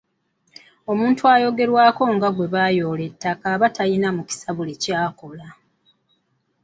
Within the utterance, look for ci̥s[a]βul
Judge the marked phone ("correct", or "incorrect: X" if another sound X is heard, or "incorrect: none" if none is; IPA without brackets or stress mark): correct